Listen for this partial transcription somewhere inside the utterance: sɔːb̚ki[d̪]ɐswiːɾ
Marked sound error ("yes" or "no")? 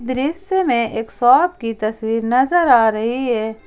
yes